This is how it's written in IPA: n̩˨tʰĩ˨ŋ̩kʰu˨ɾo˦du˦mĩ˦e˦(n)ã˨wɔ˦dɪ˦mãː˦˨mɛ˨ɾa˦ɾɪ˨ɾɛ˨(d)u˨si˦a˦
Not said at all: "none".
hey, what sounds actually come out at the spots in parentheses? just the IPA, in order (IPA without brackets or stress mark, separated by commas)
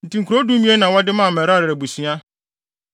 n, b